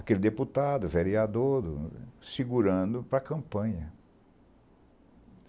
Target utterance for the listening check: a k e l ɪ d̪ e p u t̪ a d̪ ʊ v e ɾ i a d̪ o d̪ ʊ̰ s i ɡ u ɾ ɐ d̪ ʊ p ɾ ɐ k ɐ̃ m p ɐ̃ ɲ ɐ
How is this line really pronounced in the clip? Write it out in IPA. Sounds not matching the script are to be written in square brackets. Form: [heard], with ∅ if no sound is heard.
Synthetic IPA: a k e l ɪ d̪ e p u t̪ a d̪ ʊ v e ɾ i a d̪ o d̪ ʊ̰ s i ɡ u ɾ [ɐ̃] d̪ ʊ p ɾ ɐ k ɐ̃ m p ɐ̃ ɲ ɐ